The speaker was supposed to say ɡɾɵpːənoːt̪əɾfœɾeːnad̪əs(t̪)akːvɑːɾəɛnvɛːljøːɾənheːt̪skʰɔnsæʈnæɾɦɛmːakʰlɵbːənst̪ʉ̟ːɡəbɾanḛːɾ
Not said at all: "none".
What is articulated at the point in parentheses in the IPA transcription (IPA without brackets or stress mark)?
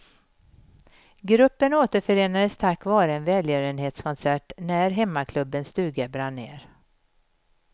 t̪ʰ